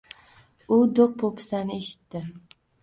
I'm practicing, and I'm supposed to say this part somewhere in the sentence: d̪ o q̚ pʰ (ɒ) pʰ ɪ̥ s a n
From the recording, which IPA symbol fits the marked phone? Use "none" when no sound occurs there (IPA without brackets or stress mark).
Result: o